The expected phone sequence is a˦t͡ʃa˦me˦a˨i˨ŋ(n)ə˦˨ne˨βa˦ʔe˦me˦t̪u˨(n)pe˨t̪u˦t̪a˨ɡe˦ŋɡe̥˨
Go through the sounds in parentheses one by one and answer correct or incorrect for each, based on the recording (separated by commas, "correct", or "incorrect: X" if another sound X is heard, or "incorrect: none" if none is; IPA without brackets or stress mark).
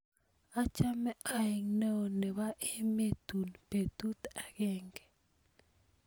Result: correct, correct